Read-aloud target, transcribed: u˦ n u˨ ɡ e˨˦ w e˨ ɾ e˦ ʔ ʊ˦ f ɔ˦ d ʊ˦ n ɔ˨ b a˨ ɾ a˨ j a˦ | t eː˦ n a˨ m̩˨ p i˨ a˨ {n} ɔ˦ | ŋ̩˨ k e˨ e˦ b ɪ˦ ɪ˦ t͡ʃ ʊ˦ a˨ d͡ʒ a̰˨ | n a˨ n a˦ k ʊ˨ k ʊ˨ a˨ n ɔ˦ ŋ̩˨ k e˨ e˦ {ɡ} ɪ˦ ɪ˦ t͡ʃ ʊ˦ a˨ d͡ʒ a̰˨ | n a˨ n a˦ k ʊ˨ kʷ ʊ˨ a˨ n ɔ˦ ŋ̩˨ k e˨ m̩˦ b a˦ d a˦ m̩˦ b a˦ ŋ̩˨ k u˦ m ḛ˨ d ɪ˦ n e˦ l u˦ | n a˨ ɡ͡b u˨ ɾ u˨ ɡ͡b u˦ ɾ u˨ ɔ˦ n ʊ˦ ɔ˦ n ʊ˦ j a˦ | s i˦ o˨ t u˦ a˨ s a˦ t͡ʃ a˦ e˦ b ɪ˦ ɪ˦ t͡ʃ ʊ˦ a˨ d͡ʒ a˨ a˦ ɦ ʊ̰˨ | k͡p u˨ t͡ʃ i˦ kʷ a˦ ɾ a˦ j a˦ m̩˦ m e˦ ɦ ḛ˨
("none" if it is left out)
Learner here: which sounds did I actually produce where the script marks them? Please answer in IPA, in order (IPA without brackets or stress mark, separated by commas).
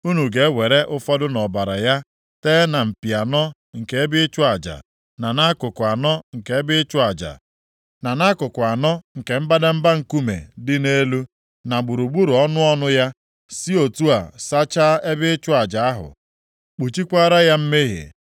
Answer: n, b